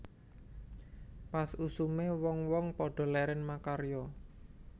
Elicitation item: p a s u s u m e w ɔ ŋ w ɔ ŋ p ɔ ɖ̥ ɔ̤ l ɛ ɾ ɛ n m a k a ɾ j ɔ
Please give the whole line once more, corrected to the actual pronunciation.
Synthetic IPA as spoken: p a s u s u m e w ɔ ŋ w ɔ ŋ p ɔ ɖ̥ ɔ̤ l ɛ ɾ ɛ n m a k a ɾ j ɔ